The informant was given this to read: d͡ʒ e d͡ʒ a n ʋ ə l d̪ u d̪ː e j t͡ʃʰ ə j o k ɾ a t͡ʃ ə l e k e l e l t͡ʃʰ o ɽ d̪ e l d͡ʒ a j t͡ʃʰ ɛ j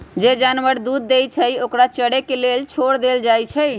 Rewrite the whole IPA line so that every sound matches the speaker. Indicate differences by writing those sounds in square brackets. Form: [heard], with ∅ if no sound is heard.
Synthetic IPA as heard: d͡ʒ e d͡ʒ a n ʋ ə [ɾ] d̪ u d̪ː e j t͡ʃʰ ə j o k ɾ a t͡ʃ ə [ɽ] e k e l e l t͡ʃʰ o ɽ d̪ e l d͡ʒ a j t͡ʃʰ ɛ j